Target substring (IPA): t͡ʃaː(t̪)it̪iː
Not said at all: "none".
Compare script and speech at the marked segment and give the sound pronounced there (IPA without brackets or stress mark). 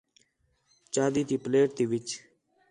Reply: d̪